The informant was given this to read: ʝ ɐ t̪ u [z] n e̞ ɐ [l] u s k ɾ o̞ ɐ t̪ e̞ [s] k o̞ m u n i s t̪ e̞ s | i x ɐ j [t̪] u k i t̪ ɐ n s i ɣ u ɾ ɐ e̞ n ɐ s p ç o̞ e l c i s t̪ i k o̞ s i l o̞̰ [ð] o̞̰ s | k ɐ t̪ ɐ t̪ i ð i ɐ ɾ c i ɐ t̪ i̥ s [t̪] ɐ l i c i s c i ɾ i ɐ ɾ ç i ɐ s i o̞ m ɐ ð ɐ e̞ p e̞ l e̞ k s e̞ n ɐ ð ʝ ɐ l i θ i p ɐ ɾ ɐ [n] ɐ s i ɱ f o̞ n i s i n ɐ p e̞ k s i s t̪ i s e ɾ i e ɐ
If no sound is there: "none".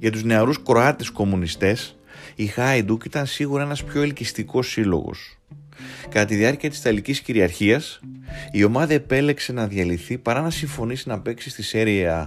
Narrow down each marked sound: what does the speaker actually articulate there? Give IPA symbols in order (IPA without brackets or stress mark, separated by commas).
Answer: z, ɾ, s, d̪, ɣ, t̪, n